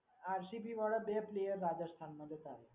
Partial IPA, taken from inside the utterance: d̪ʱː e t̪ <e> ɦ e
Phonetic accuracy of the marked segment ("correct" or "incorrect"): incorrect